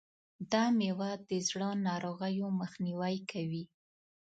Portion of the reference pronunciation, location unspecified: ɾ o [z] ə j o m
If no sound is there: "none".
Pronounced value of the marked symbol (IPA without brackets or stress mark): ɣ